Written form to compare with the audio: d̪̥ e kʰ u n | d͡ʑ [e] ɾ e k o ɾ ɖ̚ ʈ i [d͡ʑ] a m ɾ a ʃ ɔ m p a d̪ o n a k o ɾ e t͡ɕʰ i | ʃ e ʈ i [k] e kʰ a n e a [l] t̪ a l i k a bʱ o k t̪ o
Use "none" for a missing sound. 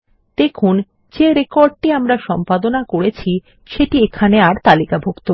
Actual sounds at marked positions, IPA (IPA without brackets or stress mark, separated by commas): e, none, none, ɾ